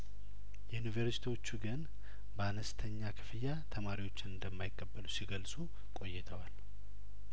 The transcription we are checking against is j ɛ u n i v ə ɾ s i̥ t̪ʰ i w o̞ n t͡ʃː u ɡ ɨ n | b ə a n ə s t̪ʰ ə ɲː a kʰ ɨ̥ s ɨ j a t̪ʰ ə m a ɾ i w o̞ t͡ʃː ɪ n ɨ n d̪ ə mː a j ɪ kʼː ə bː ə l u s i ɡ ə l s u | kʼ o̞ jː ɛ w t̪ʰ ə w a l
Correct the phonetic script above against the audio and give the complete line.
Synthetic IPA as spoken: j ɛ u n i v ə ɾ s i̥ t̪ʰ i w o̞ t͡ʃː u ɡ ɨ n | b ə a n ə s t̪ʰ ə ɲː a kʰ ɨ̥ f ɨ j a t̪ʰ ə m a ɾ i w o̞ t͡ʃː ɪ n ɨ n d̪ ə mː a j ɪ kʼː ə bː ə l u s i ɡ ə l s u | kʼ o̞ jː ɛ t̪ʰ ə w a l